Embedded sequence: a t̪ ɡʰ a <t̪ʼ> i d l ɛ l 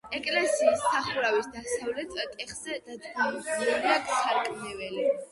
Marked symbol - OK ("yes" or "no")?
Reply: no